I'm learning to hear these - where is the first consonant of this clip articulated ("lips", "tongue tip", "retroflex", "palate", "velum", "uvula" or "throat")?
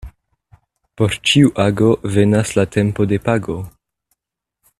lips